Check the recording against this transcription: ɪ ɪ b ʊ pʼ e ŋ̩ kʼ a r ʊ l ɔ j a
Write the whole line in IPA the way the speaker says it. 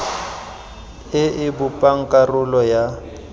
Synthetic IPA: ɪ ɪ b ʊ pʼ a ŋ̩ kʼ a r ʊ l ɔ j a

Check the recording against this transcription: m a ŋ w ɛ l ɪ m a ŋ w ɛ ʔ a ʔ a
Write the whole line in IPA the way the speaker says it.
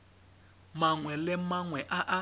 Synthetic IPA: m a ŋ w ɛ l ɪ m a ŋ w ɛ ʔ a ʔ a

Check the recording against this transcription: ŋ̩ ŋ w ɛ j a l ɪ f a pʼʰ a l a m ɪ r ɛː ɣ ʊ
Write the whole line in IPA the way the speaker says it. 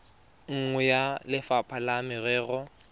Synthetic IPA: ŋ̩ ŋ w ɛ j a l ɪ f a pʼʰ a l a m ɪ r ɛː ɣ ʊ

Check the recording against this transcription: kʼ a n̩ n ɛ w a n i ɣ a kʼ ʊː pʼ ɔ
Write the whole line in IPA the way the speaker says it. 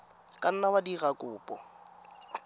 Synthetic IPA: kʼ a n̩ n a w a d i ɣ a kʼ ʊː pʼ ɔ

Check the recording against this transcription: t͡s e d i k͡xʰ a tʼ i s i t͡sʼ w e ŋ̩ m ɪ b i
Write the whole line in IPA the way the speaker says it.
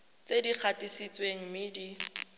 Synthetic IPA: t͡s e d i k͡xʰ a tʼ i s i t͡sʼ w e ŋ̩ m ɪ d i

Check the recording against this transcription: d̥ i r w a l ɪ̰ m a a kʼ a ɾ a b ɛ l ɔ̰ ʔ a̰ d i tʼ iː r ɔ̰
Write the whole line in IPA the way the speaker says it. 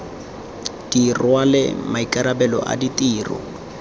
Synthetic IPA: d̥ i r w a l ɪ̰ m a i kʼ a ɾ a b ɛ l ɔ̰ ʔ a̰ d i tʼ iː r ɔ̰

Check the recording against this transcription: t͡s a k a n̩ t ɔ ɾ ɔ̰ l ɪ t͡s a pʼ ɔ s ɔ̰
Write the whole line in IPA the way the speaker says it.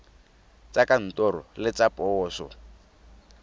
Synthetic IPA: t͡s a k a n̩ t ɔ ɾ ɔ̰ l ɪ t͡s a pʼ ɔː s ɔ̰

